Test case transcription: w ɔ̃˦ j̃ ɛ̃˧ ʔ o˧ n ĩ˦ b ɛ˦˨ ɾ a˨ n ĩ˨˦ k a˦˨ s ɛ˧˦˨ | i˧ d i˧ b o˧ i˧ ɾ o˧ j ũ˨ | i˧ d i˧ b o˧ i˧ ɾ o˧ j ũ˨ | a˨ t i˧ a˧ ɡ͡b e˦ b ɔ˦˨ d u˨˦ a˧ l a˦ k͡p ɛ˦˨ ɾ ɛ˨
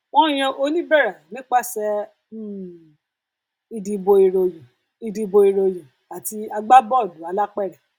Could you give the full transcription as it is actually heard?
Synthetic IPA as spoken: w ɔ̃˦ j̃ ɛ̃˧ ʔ o˧ n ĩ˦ b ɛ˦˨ ɾ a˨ n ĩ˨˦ k͡p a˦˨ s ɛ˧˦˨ | i˧ d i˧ b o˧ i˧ ɾ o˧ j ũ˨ | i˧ d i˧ b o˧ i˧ ɾ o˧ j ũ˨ | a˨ t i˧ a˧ ɡ͡b a˦ b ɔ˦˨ d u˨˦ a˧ l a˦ k͡p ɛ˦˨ ɾ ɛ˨